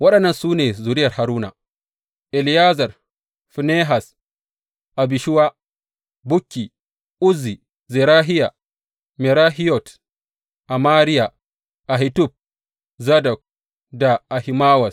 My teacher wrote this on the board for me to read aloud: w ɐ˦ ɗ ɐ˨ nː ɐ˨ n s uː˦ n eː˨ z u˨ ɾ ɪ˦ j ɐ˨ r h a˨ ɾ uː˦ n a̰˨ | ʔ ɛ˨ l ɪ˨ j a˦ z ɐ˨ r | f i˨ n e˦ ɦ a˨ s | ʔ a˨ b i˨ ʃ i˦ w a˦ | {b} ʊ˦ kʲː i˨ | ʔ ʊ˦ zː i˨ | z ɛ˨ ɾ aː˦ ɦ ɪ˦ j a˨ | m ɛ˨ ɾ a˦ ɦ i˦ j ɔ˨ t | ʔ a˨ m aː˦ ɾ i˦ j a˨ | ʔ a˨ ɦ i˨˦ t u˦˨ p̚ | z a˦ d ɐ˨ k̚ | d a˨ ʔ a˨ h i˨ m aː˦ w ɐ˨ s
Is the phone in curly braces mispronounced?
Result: no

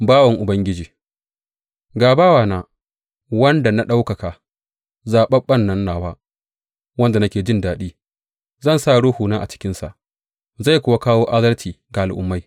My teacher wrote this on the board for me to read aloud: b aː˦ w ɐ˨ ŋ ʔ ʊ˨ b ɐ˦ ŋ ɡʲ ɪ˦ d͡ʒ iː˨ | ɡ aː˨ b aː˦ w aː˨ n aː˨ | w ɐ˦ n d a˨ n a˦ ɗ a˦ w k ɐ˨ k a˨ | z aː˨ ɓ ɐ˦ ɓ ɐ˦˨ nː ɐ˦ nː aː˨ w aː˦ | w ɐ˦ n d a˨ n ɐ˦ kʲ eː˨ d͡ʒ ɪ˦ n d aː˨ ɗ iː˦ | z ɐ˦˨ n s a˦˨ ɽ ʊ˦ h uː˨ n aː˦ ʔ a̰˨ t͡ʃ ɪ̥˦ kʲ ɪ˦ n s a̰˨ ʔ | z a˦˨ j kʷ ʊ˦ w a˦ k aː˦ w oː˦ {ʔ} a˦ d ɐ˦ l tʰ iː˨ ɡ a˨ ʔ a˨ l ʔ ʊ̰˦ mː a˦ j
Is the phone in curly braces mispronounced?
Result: no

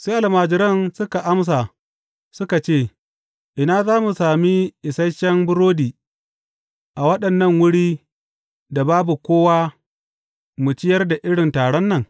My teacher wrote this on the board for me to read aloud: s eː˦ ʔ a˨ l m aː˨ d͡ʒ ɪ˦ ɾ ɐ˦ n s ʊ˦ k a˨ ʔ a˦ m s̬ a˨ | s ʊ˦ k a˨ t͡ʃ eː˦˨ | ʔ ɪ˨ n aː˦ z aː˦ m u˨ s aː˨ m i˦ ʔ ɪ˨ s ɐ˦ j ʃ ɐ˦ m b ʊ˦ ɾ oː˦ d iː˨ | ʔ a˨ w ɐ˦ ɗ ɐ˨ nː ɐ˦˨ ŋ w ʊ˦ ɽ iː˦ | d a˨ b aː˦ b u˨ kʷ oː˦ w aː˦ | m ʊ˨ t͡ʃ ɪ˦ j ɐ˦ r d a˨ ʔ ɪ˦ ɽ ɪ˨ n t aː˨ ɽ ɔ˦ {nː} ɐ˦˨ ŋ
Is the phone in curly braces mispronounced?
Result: no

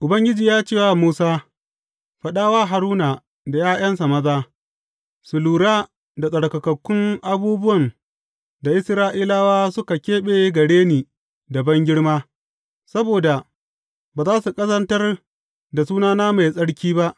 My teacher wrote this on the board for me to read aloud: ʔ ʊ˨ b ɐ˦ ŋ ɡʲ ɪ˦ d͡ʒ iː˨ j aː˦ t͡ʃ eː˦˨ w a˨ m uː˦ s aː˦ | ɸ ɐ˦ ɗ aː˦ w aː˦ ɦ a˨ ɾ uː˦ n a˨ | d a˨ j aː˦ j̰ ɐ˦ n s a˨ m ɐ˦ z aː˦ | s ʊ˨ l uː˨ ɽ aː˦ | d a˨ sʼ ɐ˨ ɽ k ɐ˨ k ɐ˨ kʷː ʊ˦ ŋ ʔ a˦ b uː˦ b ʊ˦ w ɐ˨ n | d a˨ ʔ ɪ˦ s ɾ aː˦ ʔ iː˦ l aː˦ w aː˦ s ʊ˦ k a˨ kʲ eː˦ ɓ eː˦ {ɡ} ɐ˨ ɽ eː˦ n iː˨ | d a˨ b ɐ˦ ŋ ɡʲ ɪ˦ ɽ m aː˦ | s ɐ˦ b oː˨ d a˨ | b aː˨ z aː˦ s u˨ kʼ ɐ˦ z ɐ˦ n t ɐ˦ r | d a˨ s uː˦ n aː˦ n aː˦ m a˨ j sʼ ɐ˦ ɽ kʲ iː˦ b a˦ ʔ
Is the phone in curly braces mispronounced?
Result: no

